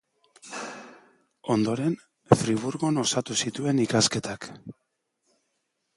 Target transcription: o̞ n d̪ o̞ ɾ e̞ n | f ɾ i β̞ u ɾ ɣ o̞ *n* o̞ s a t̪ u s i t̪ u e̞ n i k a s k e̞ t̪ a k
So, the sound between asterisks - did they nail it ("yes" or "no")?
yes